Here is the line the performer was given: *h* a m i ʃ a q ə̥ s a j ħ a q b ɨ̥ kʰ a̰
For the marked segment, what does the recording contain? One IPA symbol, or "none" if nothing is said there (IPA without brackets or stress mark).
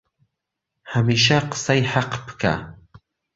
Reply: h